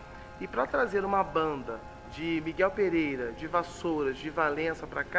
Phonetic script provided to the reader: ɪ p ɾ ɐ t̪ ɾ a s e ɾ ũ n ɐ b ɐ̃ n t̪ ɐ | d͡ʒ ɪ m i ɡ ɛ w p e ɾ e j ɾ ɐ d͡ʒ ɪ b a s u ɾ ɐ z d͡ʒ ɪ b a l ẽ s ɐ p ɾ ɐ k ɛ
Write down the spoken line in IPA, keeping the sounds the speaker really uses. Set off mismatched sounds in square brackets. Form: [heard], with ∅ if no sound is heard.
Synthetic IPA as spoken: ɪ p ɾ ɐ t̪ ɾ a [z] e ɾ ũ [m] ɐ b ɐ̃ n [d̪] ɐ | d͡ʒ ɪ m i ɡ ɛ w p e ɾ e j ɾ ɐ d͡ʒ ɪ [v] a s [o] ɾ ɐ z d͡ʒ ɪ [v] a l ẽ s ɐ p ɾ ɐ k [a]